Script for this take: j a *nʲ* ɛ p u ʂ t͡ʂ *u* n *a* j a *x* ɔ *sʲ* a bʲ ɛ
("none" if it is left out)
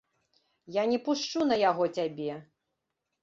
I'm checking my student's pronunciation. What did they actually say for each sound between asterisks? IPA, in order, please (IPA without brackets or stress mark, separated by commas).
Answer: nʲ, u, ɐ, ɣ, t͡sʲ